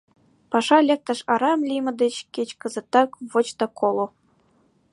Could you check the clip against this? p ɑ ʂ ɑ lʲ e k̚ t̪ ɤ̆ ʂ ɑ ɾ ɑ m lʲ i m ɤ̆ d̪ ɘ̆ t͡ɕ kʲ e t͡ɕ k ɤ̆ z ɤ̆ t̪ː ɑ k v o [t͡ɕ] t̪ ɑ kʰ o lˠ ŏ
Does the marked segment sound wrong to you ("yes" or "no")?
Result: no